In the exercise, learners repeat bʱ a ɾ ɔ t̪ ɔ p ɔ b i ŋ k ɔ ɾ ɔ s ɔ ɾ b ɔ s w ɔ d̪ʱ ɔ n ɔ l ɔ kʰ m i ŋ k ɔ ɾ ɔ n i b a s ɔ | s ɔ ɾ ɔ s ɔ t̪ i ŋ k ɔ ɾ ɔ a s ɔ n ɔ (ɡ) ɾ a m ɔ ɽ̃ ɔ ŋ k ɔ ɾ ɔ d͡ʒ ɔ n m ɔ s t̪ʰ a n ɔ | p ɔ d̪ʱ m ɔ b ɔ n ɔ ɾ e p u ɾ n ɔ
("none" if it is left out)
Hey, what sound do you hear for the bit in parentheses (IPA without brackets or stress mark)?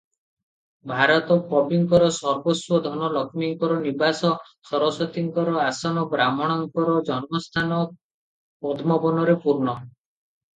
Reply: b